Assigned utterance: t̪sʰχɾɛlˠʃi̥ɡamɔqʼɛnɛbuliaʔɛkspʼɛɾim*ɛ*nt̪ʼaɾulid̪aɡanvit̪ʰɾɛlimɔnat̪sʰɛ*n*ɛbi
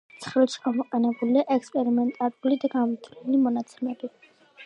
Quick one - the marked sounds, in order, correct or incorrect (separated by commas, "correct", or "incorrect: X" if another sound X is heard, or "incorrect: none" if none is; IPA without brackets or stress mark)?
correct, incorrect: m